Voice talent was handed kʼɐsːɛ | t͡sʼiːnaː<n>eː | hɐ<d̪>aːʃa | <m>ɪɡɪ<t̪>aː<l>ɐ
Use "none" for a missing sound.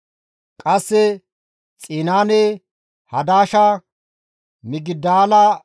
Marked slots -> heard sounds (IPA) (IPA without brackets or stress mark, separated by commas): n, d̪, m, d̪, l